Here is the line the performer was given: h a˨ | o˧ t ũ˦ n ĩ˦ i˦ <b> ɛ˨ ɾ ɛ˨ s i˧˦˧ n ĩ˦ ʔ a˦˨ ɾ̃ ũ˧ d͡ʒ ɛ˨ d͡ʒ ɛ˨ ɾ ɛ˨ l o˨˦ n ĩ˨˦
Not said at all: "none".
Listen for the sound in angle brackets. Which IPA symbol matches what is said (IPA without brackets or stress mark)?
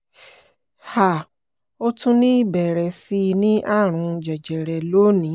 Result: b